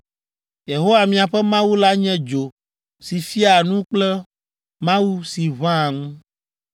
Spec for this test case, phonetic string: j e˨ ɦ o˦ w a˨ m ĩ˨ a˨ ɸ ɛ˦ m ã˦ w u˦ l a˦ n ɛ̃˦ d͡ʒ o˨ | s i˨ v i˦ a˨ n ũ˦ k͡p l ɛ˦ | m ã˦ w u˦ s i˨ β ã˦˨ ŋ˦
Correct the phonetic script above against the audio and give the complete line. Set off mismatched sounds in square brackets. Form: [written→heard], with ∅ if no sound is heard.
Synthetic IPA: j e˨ ɦ o˦ w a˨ m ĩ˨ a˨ ɸ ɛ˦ m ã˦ w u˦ l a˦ [n→ɲ] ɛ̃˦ d͡ʒ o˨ | s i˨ [v→f] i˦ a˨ n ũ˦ k͡p l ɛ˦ | m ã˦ w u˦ s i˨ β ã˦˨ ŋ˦